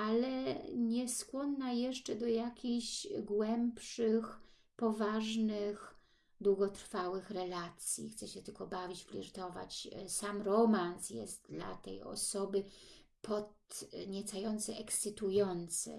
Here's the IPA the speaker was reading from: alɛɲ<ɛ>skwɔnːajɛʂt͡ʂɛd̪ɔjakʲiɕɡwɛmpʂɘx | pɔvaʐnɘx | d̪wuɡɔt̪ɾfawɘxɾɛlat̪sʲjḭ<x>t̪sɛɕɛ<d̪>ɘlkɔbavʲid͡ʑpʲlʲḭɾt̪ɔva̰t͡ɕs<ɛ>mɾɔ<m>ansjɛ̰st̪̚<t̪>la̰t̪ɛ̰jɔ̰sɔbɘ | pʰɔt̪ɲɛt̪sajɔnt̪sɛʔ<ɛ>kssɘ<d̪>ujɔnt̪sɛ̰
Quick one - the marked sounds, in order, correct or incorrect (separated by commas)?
correct, correct, incorrect, incorrect, correct, incorrect, correct, incorrect